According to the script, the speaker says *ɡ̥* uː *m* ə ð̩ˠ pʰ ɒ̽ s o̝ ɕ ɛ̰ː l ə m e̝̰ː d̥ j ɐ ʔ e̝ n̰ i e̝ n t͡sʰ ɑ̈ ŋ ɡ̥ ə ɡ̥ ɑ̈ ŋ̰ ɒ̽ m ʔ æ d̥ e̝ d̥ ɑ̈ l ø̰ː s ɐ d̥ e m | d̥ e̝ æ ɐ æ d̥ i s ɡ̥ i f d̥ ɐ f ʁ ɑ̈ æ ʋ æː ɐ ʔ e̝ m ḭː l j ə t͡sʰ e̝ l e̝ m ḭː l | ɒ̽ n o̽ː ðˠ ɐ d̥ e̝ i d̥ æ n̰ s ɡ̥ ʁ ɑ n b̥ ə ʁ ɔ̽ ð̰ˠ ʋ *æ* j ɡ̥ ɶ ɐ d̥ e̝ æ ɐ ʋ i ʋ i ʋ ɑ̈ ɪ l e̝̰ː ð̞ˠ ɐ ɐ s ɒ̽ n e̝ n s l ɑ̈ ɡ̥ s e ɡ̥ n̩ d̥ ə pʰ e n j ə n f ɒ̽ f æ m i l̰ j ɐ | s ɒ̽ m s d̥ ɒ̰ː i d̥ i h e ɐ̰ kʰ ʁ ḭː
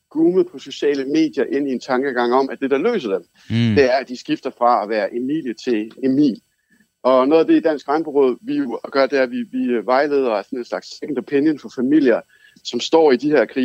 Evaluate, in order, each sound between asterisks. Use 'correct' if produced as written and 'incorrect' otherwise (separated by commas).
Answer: correct, correct, incorrect